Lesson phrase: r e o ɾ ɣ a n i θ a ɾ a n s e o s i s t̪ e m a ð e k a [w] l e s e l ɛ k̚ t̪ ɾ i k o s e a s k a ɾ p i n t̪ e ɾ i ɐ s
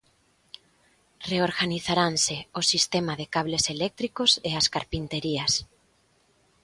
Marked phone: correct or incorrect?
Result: incorrect